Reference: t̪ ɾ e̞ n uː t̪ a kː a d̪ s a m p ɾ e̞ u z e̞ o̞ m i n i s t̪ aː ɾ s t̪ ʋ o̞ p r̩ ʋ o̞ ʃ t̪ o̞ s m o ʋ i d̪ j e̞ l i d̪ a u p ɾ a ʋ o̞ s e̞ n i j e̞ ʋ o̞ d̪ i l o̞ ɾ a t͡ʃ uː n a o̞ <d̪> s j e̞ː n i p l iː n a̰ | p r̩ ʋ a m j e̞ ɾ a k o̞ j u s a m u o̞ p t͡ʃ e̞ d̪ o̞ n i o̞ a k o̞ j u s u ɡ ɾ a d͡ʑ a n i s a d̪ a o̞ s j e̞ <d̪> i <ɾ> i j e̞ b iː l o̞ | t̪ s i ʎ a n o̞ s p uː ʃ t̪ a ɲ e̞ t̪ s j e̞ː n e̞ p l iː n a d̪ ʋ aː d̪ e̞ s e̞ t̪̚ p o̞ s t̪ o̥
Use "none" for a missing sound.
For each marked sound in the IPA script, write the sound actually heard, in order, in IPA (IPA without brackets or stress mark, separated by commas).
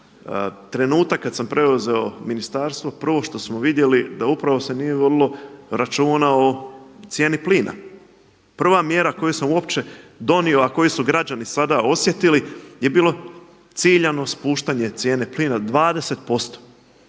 t̪, t̪, l